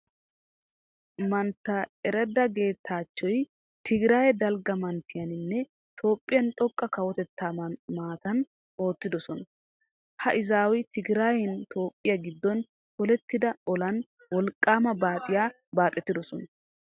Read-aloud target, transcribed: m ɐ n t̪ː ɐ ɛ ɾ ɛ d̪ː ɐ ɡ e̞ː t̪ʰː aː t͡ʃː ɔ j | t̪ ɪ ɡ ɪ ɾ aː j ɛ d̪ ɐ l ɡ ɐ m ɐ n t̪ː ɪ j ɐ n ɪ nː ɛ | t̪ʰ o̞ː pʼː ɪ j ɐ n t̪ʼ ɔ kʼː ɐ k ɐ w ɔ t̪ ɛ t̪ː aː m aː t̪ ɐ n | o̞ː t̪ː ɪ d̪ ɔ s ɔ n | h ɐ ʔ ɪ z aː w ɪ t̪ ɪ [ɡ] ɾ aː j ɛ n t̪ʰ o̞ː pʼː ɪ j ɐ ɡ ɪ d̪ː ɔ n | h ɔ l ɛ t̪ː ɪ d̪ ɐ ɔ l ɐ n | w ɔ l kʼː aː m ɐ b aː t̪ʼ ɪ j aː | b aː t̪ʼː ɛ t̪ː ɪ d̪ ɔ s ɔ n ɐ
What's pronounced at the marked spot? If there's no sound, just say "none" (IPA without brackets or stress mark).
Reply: ɡ